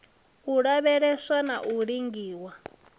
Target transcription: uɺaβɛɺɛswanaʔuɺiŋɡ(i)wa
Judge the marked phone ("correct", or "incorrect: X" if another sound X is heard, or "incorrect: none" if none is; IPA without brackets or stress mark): incorrect: iː